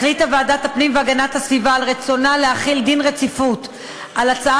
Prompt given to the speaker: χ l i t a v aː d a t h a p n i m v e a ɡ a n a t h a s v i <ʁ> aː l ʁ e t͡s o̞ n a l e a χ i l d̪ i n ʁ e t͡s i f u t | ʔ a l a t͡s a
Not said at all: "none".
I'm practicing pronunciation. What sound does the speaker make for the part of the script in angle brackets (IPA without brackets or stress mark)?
v